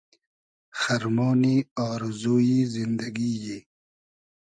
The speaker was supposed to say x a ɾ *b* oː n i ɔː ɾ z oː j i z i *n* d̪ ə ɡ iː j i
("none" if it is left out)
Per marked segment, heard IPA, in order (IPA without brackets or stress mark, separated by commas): m, n